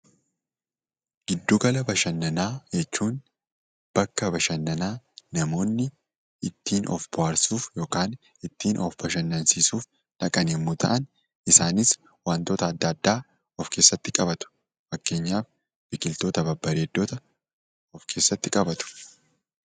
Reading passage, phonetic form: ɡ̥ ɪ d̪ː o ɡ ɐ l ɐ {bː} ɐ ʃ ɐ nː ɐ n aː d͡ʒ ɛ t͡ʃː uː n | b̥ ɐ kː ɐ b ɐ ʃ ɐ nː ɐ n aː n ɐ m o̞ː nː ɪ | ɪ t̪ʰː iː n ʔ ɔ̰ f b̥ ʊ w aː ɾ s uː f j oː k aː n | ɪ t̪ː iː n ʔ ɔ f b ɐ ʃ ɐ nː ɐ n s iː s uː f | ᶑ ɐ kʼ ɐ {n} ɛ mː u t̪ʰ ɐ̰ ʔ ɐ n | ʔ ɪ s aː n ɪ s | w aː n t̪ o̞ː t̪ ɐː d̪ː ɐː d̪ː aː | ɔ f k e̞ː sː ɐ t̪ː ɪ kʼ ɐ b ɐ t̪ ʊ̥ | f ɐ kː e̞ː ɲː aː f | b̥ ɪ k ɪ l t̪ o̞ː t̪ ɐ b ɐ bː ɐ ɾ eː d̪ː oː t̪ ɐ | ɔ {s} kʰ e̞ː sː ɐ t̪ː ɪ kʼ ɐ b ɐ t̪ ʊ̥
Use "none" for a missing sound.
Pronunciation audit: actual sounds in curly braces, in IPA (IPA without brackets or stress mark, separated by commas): b, n, f